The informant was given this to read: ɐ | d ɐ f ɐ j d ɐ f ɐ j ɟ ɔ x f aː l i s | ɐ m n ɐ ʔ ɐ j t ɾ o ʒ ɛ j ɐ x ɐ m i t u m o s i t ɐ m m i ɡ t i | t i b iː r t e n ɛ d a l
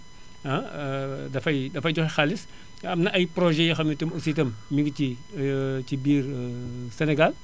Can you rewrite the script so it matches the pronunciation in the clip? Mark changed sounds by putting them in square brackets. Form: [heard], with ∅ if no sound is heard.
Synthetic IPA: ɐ | d ɐ f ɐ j d ɐ f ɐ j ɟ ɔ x [x] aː l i s | ɐ m n ɐ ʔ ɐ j [p] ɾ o ʒ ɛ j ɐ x ɐ m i t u m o s i t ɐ m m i ɡ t i | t i b iː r [s] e n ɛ [ɡ] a l